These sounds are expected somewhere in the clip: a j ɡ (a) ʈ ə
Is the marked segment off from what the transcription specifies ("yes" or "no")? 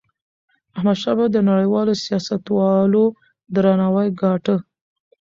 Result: yes